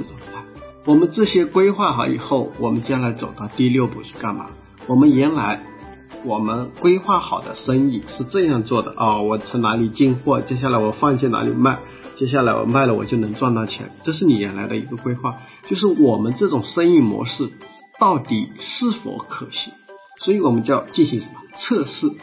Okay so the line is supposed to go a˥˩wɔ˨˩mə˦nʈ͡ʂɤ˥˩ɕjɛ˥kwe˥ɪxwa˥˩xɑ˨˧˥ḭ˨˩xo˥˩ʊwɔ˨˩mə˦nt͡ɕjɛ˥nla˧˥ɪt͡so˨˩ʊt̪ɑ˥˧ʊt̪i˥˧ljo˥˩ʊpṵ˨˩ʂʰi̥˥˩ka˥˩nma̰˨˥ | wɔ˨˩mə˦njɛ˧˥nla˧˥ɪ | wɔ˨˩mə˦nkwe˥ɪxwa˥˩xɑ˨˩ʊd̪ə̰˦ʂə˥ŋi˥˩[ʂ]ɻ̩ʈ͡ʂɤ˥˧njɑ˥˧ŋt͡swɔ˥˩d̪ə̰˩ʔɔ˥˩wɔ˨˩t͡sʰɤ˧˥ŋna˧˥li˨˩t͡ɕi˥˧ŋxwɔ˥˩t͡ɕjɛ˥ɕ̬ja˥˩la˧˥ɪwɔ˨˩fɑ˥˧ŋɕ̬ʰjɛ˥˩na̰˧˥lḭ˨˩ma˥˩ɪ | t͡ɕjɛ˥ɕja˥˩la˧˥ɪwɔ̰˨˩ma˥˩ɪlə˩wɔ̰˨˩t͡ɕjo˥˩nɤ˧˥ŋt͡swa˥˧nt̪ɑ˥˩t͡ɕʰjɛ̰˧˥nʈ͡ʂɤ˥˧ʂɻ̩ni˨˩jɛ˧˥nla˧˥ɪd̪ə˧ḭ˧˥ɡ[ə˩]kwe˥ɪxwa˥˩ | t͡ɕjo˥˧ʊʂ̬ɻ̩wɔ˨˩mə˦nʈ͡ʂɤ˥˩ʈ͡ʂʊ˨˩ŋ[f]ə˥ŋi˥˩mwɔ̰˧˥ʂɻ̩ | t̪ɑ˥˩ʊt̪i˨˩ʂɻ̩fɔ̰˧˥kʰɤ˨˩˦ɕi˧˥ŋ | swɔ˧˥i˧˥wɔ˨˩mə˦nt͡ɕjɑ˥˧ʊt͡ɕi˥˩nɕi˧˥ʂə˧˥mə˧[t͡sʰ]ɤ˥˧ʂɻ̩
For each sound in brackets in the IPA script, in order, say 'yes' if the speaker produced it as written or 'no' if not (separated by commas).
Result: yes, no, no, yes